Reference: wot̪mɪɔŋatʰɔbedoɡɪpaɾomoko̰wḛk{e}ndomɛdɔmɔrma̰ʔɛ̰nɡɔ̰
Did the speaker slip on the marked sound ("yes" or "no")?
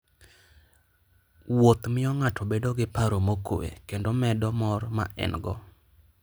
no